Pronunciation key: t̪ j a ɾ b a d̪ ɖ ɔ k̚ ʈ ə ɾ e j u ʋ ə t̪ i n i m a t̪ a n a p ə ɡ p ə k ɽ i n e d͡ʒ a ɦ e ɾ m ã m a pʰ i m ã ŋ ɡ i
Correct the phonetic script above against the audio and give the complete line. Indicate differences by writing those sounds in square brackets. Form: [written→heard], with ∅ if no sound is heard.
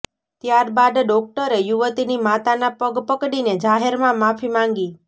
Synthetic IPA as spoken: t̪ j a ɾ b a d̪ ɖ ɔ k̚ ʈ ə ɾ e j u ʋ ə t̪ i n i m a t̪ a n a p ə ɡ p ə k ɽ i n e d͡ʒ a ɦ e ɾ m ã m a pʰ i m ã ŋ ɡ i